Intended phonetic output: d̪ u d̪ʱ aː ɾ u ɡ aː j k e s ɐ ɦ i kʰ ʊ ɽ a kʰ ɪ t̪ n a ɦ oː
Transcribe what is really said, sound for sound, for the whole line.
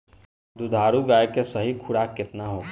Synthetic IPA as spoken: d̪ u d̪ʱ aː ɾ u ɡ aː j k e s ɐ ɦ i kʰ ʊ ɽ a k ɪ t̪ n a ɦ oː